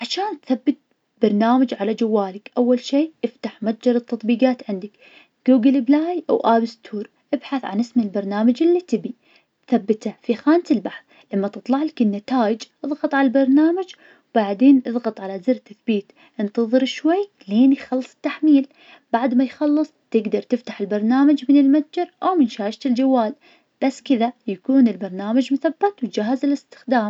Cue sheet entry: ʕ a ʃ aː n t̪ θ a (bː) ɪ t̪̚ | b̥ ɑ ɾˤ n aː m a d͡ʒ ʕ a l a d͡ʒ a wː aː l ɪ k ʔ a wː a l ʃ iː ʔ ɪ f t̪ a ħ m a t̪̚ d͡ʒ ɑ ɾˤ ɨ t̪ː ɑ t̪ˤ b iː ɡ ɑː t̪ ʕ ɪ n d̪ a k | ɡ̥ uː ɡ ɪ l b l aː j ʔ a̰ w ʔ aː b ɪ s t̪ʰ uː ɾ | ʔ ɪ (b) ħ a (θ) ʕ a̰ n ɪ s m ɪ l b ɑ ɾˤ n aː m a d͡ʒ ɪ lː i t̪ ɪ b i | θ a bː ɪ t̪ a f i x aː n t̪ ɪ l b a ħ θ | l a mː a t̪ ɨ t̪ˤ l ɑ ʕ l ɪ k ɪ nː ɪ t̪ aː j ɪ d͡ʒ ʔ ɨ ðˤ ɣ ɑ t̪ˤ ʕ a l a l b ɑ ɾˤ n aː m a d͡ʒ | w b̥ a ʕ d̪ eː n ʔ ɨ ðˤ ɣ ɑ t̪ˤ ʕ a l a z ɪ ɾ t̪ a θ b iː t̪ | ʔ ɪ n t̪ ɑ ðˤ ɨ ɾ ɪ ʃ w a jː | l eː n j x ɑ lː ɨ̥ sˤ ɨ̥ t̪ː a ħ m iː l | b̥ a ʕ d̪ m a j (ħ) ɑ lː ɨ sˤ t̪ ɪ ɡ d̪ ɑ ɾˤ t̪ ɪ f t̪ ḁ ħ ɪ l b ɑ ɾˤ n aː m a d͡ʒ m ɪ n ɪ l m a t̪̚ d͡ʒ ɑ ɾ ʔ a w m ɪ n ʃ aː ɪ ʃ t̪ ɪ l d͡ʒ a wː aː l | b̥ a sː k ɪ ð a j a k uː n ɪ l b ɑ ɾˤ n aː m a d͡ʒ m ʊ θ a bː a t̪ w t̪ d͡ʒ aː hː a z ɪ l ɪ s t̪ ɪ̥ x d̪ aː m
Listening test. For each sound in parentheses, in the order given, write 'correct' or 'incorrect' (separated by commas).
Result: correct, correct, correct, incorrect